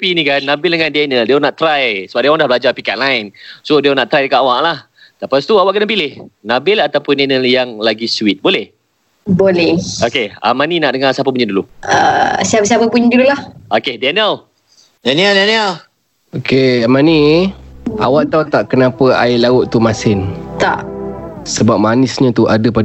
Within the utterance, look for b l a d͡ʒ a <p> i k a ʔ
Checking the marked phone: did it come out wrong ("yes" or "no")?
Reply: no